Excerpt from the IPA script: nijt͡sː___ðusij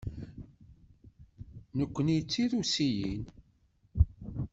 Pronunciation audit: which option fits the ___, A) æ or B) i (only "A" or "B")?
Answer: B